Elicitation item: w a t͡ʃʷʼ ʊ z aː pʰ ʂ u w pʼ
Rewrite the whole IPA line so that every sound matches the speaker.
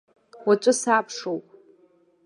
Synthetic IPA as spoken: w a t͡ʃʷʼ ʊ s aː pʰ ʂ o w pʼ

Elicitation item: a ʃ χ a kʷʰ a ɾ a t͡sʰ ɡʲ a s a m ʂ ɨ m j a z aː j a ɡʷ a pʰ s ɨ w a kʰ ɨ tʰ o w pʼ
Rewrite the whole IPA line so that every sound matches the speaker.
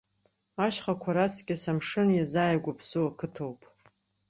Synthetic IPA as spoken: a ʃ χ a kʷʰ a ɾ a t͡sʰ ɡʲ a s a m ʂ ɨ n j a z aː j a ɡʷ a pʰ s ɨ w a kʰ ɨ tʰ o w pʼ

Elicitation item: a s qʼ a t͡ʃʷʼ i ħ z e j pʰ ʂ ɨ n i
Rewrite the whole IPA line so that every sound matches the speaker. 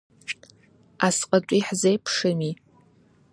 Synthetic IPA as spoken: a s qʼ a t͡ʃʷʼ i ħ z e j pʰ ʂ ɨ m i

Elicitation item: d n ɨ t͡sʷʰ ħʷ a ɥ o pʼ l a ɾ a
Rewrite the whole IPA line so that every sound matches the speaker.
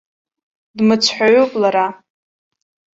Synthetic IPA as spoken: d m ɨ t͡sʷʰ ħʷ a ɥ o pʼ l a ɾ a

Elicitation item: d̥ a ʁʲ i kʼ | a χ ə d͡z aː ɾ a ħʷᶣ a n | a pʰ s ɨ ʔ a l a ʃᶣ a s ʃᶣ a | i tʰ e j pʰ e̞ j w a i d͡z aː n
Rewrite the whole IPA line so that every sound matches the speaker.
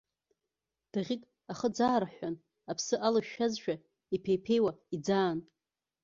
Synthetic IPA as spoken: d̥ a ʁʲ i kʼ | a χ ə d͡z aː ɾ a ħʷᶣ a n | a pʰ s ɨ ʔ a l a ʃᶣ a z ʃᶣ a | i pʰ e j pʰ e̞ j w a i d͡z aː n

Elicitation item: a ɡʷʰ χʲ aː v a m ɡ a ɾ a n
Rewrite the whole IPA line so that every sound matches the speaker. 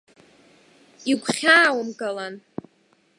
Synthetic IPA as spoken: i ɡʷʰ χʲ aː w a m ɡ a l a n

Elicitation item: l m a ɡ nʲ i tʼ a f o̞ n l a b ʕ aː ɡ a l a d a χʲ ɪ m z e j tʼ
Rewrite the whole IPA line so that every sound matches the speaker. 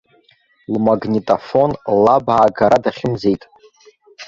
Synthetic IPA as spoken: l m a ɡ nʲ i tʼ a f o̞ n l a b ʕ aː ɡ a ɾ a d a χʲ ɪ m z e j tʼ

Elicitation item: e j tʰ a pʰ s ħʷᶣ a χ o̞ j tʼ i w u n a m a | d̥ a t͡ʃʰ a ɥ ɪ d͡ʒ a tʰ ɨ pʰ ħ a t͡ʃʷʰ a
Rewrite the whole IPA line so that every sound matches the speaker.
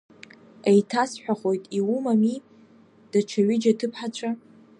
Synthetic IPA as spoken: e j tʰ a s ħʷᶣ a χ o̞ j tʼ i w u m a m i | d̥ a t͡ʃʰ a ɥ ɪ d͡ʒ a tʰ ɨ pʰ ħ a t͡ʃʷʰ a

